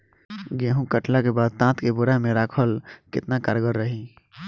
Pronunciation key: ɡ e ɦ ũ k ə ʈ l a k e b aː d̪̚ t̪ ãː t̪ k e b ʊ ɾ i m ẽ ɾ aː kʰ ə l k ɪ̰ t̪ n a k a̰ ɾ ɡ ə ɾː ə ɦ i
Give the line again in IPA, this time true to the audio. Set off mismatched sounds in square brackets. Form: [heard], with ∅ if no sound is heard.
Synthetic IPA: ɡ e ɦ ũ k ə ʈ l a k e b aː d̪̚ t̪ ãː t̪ k e b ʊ ɾ [a] m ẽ ɾ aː kʰ ə l k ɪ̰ t̪ n a k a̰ ɾ ɡ ə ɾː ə ɦ i